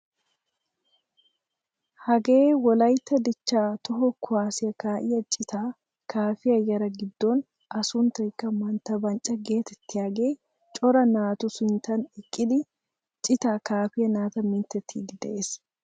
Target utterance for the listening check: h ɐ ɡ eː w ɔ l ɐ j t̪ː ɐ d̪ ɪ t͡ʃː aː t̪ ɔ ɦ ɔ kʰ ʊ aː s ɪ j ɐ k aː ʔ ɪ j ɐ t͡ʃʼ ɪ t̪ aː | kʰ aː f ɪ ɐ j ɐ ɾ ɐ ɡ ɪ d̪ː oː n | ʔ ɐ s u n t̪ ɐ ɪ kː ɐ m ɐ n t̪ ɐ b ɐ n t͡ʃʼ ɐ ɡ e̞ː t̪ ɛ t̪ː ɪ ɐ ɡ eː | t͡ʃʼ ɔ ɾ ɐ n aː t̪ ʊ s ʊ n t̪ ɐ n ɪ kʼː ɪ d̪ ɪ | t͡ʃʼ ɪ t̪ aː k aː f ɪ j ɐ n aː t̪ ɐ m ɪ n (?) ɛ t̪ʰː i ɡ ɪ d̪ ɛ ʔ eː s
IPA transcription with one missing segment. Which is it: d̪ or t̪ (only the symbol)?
t̪